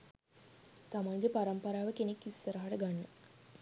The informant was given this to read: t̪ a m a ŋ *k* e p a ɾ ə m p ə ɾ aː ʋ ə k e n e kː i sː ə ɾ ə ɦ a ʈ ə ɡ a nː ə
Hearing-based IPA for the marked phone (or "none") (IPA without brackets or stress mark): ɡ